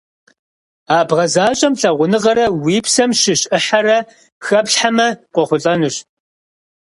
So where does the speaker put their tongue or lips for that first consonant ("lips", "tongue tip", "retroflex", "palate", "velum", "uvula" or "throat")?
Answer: lips